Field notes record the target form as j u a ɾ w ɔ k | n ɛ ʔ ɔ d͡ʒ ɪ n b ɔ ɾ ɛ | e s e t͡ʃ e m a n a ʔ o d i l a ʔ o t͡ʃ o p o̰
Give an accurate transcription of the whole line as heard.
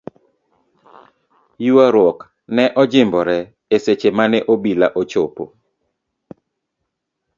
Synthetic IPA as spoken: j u a ɾ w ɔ k | n ɛ ʔ ɔ d͡ʒ ɪ m b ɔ ɾ ɛ | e s e t͡ʃ e m a n ɛ ʔ o b i l a ʔ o t͡ʃ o p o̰

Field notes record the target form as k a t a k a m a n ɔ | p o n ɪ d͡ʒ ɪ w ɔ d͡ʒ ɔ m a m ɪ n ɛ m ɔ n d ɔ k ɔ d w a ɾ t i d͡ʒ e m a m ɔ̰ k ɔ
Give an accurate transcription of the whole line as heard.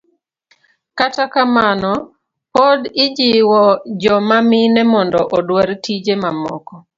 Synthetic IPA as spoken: k a t a k a m a n ɔ | p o d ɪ d͡ʒ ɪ w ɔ d͡ʒ ɔ m a m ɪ n ɛ m ɔ n d ɔ ʔ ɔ d w a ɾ t i d͡ʒ e m a m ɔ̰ k ɔ

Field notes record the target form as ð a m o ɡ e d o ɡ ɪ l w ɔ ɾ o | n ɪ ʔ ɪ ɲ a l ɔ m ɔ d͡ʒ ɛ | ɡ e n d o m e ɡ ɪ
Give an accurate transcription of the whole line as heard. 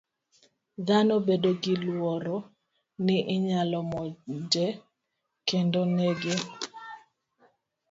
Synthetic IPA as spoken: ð a n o b e d o ɡ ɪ l w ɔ ɾ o | n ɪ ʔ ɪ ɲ a l ɔ m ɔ d͡ʒ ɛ | k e n d o n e ɡ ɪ

